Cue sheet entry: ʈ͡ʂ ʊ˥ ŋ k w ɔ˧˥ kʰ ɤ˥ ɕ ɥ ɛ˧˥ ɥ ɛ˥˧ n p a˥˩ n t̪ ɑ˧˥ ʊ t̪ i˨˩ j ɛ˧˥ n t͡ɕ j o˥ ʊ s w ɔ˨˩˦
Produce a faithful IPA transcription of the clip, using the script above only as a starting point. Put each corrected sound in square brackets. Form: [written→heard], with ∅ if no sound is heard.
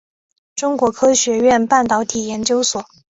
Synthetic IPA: ʈ͡ʂ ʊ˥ ŋ k w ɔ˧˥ kʰ ɤ˥ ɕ ɥ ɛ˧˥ ɥ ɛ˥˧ n p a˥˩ n t̪ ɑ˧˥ ʊ [t̪→t̪ʰ] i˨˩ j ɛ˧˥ n t͡ɕ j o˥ ʊ s w ɔ˨˩˦